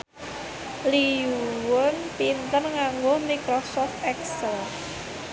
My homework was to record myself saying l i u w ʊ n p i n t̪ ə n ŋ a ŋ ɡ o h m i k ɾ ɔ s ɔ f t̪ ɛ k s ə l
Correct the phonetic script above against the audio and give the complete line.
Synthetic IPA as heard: l i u w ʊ n p i n t̪ ə n ŋ a ŋ ɡ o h m i k ɾ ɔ s ɔ f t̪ ɛ k s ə l